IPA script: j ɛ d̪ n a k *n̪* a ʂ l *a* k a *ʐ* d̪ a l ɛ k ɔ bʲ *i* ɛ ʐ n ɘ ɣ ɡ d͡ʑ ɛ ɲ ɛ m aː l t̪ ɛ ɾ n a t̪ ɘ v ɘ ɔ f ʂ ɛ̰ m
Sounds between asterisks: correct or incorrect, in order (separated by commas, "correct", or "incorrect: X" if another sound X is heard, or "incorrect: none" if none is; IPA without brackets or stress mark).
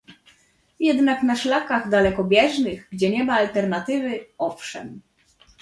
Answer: correct, correct, incorrect: ɣ, incorrect: j